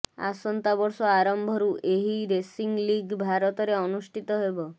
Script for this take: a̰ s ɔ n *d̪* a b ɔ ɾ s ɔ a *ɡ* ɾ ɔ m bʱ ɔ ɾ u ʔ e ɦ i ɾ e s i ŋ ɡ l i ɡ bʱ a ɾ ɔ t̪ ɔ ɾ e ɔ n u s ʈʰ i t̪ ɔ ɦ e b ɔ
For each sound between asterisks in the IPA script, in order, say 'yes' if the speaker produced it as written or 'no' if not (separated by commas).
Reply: no, no